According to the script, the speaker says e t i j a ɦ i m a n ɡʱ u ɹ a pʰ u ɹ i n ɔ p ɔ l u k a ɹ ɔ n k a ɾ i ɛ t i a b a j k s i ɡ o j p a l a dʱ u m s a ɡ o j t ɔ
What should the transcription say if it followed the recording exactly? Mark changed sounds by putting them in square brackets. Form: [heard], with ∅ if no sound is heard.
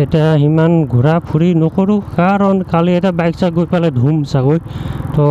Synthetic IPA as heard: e t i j a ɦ i m a n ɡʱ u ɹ a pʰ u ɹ i n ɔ [k] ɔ [ɹ] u k a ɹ ɔ n k a [l] i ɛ t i a b a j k s [a] ɡ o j p a l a dʱ u m s a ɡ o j t ɔ